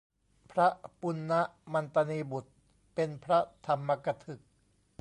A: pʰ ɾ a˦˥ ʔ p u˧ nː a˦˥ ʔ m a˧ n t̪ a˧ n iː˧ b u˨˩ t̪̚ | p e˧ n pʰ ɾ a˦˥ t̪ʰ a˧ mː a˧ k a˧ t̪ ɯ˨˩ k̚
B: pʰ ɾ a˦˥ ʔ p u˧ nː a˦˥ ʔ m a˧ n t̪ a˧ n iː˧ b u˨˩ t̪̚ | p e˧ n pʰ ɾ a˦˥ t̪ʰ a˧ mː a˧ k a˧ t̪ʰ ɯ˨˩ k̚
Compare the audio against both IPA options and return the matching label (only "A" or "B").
B